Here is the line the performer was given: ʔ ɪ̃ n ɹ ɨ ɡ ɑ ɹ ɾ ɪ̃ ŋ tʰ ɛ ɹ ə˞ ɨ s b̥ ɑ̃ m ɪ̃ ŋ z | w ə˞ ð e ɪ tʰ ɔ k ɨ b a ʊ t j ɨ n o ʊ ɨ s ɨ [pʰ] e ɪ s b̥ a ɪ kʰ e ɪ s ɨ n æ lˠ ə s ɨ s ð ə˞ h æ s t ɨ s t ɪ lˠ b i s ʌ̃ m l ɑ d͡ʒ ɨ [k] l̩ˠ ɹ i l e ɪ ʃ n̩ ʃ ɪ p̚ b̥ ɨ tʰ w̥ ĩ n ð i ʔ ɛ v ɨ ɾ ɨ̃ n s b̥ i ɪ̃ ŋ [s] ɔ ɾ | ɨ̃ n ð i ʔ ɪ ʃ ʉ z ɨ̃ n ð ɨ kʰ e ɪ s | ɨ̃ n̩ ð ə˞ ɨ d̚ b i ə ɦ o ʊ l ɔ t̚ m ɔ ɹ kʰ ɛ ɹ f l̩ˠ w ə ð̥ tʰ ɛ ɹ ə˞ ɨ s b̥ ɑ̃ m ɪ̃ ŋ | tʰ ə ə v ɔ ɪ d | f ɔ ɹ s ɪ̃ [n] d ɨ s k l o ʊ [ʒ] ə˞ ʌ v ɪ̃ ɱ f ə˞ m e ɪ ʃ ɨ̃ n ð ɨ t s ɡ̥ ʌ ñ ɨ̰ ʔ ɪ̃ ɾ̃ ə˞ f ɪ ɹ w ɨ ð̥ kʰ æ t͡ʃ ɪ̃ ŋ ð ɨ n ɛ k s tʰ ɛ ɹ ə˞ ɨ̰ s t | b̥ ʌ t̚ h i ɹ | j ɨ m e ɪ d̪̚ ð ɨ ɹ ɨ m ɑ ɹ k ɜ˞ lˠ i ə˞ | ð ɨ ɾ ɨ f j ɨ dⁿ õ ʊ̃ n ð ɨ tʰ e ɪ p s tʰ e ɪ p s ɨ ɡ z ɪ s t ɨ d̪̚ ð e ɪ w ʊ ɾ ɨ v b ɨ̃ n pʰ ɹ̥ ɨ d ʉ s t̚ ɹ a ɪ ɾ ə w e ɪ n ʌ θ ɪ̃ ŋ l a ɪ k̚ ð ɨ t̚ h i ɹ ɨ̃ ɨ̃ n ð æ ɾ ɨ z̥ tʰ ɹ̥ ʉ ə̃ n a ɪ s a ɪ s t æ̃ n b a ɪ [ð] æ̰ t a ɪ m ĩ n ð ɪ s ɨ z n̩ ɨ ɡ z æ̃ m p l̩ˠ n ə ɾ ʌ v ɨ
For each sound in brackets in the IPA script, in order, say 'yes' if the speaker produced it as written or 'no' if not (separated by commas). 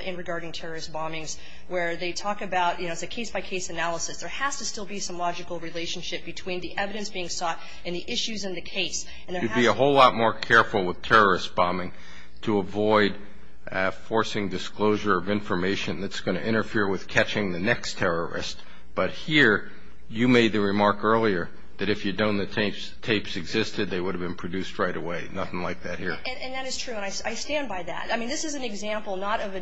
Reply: no, yes, yes, no, yes, yes